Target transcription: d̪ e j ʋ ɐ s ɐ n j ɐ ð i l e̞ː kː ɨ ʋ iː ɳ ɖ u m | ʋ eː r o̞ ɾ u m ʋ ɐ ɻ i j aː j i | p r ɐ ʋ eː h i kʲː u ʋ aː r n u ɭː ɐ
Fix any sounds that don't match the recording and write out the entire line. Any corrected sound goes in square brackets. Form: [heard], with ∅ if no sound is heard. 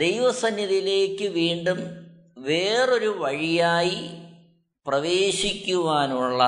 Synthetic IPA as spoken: d̪ e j ʋ ɐ s ɐ n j ɐ ð i l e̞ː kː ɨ ʋ iː ɳ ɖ u m | ʋ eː r o̞ ɾ u [∅] ʋ ɐ ɻ i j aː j i | p r ɐ ʋ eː [ɕ] i kʲː u ʋ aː [∅] n u ɭː ɐ